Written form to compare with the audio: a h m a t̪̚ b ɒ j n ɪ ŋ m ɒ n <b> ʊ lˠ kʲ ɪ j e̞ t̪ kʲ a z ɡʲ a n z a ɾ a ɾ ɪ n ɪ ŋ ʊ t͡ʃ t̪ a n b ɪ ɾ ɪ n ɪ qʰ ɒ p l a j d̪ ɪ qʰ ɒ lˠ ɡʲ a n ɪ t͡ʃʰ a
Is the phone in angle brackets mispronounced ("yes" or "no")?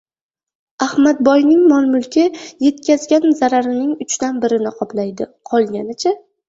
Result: yes